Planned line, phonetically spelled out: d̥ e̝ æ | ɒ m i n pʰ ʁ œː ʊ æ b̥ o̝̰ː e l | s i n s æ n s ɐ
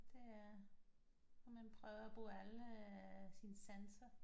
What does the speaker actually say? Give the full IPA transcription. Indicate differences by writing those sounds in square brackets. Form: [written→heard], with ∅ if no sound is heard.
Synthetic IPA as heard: d̥ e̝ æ | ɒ m [i→æ] n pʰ ʁ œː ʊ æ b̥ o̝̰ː [e→æ] l | s i n s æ n s ɐ

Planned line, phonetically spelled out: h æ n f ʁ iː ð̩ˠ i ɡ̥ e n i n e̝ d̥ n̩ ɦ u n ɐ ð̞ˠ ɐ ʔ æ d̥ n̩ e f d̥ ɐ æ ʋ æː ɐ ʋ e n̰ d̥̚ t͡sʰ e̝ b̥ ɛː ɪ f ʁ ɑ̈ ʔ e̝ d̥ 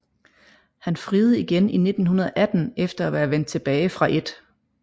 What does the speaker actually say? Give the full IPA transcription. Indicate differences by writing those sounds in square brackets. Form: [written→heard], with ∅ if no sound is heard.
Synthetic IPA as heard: h æ n f ʁ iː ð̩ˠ i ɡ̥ e n i n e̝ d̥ n̩ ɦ u n ɐ ð̞ˠ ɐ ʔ æ d̥ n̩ e f d̥ ɐ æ ʋ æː ɐ ʋ e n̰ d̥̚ t͡sʰ e̝ b̥ ɛː ɪ f ʁ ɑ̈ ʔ e̝ d̥

